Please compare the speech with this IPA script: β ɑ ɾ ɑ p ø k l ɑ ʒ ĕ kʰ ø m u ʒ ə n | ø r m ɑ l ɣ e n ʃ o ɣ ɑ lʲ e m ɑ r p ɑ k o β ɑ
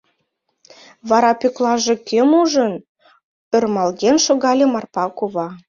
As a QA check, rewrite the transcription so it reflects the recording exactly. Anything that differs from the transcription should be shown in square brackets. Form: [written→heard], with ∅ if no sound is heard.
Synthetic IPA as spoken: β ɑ ɾ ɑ p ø k l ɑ ʒ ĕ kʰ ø m u ʒ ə n | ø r m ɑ l ɣ e n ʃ o ɣ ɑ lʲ e m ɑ r p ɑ k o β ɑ